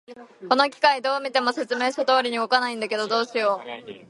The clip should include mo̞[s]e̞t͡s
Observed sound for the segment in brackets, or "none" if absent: s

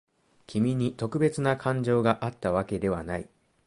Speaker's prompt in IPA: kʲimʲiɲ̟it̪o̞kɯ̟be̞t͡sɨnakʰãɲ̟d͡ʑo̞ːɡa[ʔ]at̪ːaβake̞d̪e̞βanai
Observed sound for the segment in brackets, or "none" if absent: ʔ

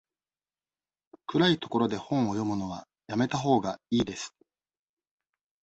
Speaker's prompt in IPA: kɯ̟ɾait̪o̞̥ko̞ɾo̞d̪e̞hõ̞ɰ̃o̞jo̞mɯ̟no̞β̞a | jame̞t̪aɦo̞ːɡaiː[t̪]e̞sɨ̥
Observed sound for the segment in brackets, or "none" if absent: d̪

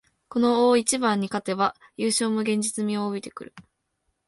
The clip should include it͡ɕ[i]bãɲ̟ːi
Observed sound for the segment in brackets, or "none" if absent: i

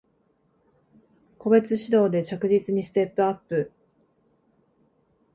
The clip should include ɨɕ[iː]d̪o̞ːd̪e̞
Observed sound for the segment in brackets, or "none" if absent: i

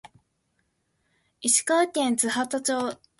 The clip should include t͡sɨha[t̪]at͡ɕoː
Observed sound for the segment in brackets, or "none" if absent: t̪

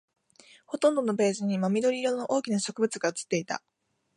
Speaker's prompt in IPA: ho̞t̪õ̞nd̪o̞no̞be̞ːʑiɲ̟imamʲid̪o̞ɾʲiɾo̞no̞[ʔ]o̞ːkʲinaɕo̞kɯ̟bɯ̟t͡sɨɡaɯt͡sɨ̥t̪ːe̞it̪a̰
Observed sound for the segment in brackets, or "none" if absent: ʔ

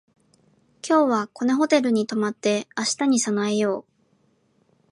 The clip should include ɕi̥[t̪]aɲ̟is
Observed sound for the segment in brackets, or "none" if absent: t̪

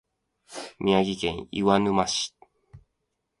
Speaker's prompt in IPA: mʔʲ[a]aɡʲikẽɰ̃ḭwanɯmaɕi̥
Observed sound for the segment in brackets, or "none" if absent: i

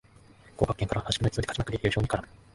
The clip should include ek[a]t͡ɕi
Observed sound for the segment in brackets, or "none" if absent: a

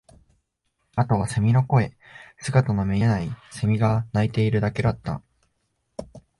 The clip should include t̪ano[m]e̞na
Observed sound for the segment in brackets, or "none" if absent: m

